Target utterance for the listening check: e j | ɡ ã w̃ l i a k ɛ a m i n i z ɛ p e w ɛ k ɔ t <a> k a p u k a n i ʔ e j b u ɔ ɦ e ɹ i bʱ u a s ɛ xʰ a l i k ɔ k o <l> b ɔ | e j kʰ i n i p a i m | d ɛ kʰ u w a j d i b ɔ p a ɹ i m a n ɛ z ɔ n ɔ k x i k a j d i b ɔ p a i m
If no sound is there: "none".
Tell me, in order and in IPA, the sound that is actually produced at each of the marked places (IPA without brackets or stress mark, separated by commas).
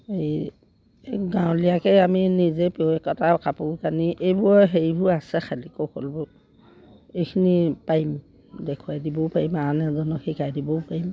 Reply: a, l